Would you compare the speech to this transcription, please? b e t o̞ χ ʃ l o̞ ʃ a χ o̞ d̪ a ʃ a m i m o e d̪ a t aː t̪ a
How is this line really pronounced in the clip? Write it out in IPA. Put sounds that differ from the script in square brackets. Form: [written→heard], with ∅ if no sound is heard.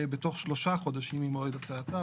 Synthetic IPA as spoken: b e t o̞ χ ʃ l o̞ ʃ a χ o̞ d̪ a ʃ [a→i] m i m o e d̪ a [t→t͡s] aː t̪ a